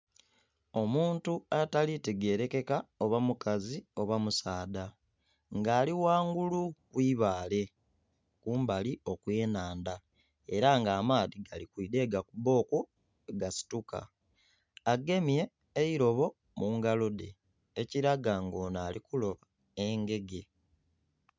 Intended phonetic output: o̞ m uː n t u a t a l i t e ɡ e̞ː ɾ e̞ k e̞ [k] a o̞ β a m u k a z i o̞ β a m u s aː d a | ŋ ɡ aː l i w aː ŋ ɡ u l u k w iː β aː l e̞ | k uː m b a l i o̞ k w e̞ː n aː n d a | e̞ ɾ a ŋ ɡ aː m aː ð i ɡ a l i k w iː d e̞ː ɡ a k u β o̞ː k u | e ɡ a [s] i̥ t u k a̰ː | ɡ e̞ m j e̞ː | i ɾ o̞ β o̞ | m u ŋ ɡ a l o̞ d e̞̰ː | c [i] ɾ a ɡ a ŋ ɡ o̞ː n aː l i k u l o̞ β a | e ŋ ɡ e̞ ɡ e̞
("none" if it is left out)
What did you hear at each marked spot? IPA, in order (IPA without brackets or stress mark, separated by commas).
k, s, i